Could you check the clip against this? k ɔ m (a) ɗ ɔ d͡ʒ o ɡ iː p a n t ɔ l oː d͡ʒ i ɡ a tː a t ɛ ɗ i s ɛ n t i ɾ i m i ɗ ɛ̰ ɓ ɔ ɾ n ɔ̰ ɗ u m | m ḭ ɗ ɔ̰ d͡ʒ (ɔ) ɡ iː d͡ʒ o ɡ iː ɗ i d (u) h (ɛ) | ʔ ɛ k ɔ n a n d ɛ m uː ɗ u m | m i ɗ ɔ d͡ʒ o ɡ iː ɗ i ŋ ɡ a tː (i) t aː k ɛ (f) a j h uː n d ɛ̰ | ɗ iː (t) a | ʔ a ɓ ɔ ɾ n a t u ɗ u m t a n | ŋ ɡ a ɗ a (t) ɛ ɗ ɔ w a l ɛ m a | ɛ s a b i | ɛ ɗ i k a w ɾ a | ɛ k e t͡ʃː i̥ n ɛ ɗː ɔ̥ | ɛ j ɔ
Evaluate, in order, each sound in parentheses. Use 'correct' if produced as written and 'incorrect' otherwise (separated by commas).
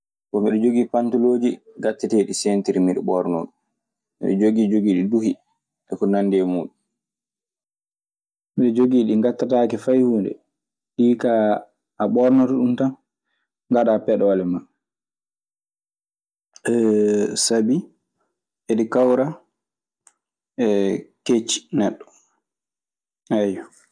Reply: incorrect, incorrect, correct, incorrect, incorrect, correct, incorrect, incorrect